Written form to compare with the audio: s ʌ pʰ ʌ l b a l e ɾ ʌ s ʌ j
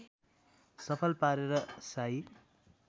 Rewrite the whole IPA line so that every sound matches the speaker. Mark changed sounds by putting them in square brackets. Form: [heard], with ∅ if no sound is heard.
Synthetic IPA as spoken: s ʌ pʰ ʌ l [p] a [ɾ] e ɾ ʌ s [a] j